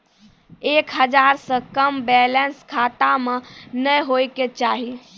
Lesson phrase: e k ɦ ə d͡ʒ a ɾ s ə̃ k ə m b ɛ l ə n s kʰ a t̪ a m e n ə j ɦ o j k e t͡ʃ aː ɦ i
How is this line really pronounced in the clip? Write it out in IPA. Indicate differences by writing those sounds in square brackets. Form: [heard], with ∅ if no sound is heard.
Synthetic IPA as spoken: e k ɦ ə d͡ʒ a ɾ s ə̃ k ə m b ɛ l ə n s kʰ a t̪ a m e n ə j ɦ o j k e t͡ʃ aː ɦ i